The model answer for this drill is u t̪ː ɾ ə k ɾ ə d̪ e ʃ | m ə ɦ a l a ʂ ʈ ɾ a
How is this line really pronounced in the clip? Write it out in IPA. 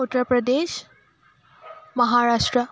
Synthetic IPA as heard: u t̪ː ɾ ə p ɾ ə d̪ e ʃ | m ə ɦ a ɾ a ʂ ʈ ɾ ə